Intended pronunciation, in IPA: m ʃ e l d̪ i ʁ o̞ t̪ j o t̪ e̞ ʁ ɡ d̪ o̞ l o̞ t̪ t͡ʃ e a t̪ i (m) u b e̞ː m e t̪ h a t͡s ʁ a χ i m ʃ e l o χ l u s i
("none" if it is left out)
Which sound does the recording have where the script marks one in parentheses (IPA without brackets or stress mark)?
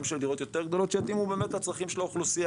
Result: m